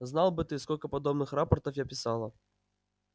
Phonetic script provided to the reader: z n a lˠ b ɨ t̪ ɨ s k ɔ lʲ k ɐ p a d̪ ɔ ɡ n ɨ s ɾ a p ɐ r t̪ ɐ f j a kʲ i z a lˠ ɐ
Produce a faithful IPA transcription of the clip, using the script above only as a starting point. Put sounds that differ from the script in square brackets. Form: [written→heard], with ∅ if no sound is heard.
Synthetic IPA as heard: z n a lˠ b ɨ t̪ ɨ s k ɔ lʲ k ɐ p a d̪ ɔ [ɡ→b] n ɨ [s→x] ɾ a p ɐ r t̪ ɐ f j a [kʲ→pʲ] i [z→s] a lˠ ɐ